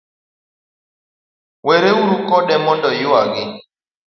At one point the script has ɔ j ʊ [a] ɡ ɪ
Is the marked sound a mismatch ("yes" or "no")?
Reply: no